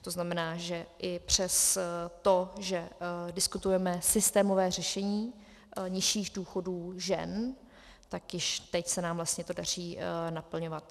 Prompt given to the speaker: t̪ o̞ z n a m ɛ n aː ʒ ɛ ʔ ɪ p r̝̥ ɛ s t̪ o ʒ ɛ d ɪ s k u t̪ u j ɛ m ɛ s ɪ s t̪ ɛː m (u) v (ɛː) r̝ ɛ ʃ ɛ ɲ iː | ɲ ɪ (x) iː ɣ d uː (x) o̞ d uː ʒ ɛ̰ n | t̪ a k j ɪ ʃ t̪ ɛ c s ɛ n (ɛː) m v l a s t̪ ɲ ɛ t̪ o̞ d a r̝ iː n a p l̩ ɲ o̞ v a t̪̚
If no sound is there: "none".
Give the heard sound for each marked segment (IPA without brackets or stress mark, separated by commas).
o, ɛː, ʃ, x, aː